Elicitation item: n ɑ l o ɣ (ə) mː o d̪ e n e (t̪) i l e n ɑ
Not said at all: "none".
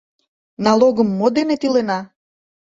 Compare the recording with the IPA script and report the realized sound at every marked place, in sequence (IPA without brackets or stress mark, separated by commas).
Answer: ə, t̪